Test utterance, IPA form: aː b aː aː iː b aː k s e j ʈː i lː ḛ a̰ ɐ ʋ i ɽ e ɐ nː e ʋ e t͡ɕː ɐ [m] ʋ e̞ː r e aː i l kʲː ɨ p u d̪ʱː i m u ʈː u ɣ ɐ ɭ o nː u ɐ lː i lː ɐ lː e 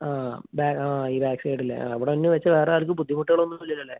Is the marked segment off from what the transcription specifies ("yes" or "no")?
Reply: yes